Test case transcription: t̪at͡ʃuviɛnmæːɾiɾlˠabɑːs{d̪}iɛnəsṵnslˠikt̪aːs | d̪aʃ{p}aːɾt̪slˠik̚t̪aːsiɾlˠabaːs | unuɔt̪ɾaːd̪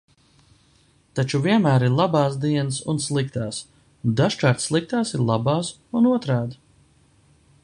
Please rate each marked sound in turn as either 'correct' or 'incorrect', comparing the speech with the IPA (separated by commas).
correct, incorrect